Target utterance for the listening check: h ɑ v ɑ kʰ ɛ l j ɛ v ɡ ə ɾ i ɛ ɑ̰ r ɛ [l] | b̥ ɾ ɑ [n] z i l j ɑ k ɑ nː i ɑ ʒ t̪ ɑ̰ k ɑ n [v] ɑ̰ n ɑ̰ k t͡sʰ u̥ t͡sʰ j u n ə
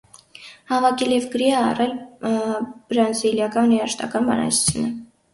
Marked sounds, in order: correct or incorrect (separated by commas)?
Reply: correct, correct, incorrect